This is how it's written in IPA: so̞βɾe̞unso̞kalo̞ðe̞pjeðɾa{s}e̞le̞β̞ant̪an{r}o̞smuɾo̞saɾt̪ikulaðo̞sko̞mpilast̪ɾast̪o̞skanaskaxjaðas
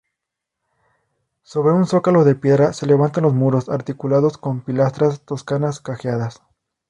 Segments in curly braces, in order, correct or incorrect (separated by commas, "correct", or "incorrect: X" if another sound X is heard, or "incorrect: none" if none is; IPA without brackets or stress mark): correct, incorrect: l